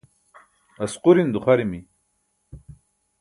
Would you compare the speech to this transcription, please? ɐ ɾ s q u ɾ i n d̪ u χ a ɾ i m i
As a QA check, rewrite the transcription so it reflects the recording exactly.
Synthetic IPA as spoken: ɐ s q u ɾ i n d̪ u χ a ɾ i m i